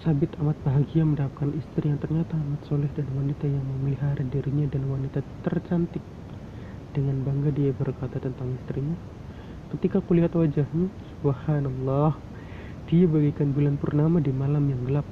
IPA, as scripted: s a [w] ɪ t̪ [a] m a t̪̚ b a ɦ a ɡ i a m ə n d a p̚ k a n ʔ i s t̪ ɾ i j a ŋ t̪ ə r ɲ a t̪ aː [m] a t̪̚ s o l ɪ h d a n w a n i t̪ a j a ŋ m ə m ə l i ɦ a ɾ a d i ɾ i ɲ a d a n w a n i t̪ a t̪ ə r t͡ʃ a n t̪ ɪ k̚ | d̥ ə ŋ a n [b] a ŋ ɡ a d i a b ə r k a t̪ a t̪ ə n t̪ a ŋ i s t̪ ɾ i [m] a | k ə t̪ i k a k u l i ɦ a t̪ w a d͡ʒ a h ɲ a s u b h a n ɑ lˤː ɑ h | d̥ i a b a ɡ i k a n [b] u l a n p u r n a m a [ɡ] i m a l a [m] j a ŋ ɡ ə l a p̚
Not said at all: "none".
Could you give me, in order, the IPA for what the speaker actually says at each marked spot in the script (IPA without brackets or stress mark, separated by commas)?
b, a, m, b, ɲ, b, d, m